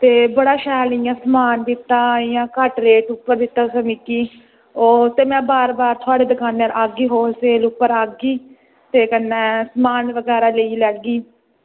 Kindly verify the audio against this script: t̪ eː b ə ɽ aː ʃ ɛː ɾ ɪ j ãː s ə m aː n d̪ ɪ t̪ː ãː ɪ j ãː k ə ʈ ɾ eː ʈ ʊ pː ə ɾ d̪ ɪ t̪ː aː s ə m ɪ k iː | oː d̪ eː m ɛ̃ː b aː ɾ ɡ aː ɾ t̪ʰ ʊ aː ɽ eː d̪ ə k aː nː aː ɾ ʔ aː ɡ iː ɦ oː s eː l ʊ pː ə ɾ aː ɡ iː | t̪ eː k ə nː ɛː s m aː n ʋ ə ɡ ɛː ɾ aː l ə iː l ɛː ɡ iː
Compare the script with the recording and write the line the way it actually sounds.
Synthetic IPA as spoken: t̪ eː b ə ɽ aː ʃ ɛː l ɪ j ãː s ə m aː n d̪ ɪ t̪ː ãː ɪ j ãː k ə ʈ ɾ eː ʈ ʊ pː ə ɾ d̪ ɪ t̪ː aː s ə m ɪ k iː | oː t̪ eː m ɛ̃ː b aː ɾ b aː ɾ t̪ʰ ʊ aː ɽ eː d̪ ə k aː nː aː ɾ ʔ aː ɡ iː ɦ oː s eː l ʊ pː ə ɾ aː ɡ iː | t̪ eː k ə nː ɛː s m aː n ʋ ə ɡ ɛː ɾ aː l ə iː l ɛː ɡ iː